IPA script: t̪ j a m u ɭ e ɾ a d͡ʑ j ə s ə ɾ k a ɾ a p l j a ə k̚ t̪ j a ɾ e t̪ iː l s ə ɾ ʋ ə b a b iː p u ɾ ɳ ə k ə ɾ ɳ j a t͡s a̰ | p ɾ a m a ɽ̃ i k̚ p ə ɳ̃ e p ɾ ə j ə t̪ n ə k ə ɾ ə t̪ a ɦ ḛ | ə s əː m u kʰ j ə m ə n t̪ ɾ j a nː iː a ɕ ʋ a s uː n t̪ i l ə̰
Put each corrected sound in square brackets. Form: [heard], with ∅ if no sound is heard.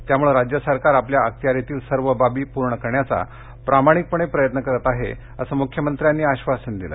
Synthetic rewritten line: t̪ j a m u ɭ e ɾ a d͡ʑ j ə s ə ɾ k a ɾ a p l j a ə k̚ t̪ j a ɾ e t̪ iː l s ə ɾ ʋ ə b a b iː p u ɾ ɳ ə k ə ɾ ɳ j a t͡s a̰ | p ɾ a m a ɽ̃ i k̚ p ə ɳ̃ e p ɾ ə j ə t̪ n ə k ə ɾ ə t̪ a ɦ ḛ | ə s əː m u kʰ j ə m ə n t̪ ɾ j a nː iː a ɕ ʋ a s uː n [d̪] i l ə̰

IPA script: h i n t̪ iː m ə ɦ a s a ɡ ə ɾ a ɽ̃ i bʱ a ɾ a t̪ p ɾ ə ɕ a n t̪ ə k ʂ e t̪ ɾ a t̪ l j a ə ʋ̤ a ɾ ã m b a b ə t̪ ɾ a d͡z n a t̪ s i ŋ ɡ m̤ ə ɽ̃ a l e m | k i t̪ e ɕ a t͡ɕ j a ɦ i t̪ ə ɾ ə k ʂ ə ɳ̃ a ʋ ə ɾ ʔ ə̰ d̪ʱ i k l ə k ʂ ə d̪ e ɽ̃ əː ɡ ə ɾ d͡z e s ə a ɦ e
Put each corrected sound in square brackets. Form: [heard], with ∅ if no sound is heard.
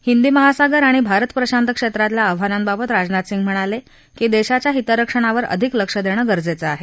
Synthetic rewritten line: h i n [d̪] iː m ə ɦ a s a ɡ ə ɾ a ɽ̃ i bʱ a ɾ [ə] t̪ p ɾ ə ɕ a n t̪ ə k ʂ e t̪ ɾ a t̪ l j a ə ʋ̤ a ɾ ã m b a b ə t̪ ɾ a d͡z n a t̪ s i ŋ ɡ m̤ ə ɽ̃ a l e [∅] | k i [d̪] e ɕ a t͡ɕ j a ɦ i t̪ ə ɾ ə k ʂ ə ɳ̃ a ʋ ə ɾ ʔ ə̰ d̪ʱ i k l ə k ʂ ə d̪ e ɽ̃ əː ɡ ə ɾ d͡z e [t͡s] ə a ɦ e

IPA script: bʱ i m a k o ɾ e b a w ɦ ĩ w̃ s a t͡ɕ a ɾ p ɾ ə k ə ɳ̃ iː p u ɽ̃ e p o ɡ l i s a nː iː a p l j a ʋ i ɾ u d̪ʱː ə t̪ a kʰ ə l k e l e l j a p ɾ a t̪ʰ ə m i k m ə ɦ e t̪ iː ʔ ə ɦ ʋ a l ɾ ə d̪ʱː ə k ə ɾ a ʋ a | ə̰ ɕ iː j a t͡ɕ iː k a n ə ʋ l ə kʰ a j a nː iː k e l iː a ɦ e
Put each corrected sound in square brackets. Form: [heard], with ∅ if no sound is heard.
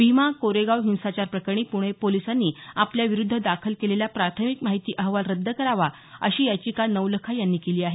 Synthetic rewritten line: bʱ i m a k o ɾ e [ɡ] a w ɦ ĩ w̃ s a t͡ɕ a ɾ p ɾ ə k ə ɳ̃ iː p u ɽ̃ e p o [∅] l i s a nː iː a p l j a ʋ i ɾ u d̪ʱː ə [d̪] a kʰ ə l k e l e l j a p ɾ a t̪ʰ ə m i k m [a] ɦ [i] t̪ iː ʔ ə ɦ ʋ a l ɾ ə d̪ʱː ə k ə ɾ a ʋ a | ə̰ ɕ iː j a t͡ɕ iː k a n ə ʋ l ə kʰ a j a nː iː k e l iː a ɦ e

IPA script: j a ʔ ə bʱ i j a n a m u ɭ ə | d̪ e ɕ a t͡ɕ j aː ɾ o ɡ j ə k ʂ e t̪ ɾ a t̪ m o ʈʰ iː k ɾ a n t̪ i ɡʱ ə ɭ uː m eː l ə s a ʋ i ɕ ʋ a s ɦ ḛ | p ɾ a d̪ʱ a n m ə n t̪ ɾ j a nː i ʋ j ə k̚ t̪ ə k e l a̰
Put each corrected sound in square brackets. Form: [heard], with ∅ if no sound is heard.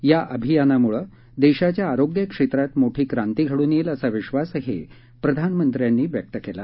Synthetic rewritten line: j a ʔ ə bʱ i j a n a m u ɭ ə | d̪ e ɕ a t͡ɕ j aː ɾ o ɡ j ə k ʂ e t̪ ɾ a t̪ m o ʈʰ iː k ɾ a n t̪ i ɡʱ ə [ɽ] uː [n] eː l ə s a ʋ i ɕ ʋ a s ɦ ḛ | p ɾ [ə] d̪ʱ a n m ə n t̪ ɾ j a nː [iː] ʋ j ə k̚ t̪ ə k e l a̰

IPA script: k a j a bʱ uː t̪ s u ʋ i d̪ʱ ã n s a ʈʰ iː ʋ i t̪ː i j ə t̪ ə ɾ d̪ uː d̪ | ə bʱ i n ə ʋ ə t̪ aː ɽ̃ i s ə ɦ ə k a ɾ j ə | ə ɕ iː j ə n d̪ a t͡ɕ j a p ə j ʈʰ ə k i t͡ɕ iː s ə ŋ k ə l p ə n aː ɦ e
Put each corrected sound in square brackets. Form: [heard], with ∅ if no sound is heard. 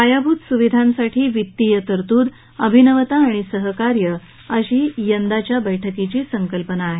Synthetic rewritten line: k a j a bʱ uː t̪ s u ʋ i d̪ʱ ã n s a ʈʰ iː ʋ i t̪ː i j ə t̪ ə ɾ [t̪] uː d̪ | ə bʱ i n ə ʋ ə t̪ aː ɽ̃ i s ə ɦ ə k a ɾ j ə | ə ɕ iː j ə n d̪ a t͡ɕ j a [b] ə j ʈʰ ə k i t͡ɕ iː s ə ŋ k ə l p ə n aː ɦ e

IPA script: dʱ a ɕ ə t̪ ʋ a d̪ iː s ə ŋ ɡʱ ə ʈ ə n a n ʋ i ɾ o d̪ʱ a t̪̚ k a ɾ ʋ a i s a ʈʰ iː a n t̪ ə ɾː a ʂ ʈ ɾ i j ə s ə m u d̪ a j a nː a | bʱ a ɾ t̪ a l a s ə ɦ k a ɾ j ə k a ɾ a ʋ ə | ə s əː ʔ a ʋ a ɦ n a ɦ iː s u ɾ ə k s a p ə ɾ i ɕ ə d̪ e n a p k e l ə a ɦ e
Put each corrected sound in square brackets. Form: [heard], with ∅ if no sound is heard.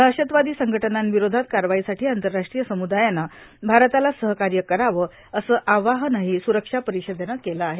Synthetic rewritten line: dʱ a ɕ ə t̪ ʋ a d̪ iː s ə ŋ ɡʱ ə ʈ ə n a n ʋ i ɾ o d̪ʱ a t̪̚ k a ɾ ʋ a i s a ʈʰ iː a n t̪ ə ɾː a ʂ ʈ ɾ i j ə s ə m u d̪ a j a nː a | bʱ a ɾ t̪ a l a s ə ɦ k a ɾ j ə k [ə] ɾ a ʋ ə | ə s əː ʔ a ʋ a ɦ n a ɦ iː s u ɾ ə k [ʂ] a p ə ɾ i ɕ ə d̪ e n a [∅] k e l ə a ɦ e

